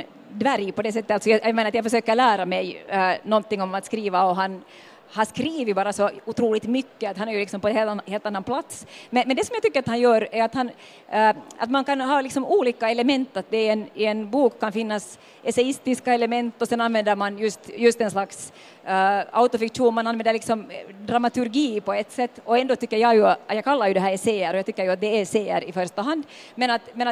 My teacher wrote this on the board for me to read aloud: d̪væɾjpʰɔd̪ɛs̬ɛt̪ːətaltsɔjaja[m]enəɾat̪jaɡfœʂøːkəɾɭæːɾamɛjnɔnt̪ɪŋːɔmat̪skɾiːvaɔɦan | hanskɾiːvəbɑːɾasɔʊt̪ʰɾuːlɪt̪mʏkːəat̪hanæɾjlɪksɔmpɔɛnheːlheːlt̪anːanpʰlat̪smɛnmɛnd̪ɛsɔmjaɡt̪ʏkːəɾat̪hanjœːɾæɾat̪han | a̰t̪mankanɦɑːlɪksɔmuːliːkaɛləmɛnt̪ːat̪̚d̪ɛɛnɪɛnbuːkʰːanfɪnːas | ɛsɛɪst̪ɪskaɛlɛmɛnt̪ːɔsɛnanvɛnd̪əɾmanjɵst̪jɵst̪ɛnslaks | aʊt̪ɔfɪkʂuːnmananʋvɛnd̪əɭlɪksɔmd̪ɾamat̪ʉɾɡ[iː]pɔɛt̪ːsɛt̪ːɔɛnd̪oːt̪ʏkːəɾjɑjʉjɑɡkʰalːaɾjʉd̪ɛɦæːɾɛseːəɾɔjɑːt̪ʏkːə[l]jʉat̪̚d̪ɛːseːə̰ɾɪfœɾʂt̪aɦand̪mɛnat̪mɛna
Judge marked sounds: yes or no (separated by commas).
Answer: yes, yes, no